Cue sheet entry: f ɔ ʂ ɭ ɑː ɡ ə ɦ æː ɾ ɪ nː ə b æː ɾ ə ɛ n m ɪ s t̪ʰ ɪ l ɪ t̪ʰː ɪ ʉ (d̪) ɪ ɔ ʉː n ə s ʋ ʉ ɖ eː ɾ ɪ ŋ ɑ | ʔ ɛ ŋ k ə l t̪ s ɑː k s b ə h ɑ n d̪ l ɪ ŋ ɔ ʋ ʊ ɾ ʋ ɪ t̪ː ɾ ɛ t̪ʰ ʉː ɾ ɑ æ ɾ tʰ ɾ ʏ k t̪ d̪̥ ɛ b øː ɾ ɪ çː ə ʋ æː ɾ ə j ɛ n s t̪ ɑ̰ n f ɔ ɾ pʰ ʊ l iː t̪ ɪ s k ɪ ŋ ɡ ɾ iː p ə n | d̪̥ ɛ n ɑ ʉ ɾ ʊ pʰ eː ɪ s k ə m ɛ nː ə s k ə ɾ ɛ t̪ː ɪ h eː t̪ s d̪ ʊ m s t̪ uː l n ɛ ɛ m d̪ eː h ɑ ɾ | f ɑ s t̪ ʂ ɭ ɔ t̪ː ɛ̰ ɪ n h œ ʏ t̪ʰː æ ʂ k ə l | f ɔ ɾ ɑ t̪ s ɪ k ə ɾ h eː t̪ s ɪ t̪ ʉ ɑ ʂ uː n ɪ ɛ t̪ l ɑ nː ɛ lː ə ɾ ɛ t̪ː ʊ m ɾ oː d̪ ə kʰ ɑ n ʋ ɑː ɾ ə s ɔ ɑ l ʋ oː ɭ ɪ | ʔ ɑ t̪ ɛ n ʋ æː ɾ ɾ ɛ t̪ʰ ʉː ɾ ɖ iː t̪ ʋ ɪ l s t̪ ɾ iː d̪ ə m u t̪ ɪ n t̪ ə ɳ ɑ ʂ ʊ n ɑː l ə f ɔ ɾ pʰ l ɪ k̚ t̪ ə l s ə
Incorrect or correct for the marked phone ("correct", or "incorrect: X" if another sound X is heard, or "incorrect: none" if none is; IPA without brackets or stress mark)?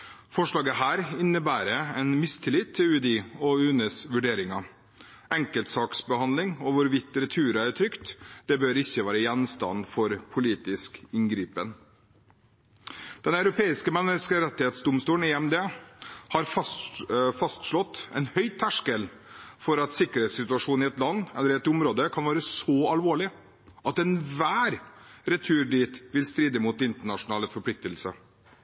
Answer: correct